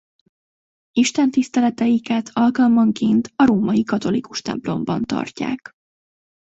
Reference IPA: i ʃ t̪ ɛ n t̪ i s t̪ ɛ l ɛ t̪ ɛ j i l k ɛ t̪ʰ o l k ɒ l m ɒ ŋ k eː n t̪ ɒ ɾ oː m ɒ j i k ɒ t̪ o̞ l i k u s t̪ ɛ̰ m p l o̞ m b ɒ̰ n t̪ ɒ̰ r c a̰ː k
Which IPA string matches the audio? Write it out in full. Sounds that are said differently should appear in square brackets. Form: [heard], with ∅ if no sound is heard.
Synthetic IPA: i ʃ t̪ ɛ n t̪ i s t̪ ɛ l ɛ t̪ ɛ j i [∅] k ɛ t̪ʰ [ɒ] l k ɒ l m ɒ ŋ k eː n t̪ ɒ ɾ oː m ɒ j i k ɒ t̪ o̞ l i k u [ʃ] t̪ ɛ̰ m p l o̞ m b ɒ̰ n t̪ ɒ̰ r c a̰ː k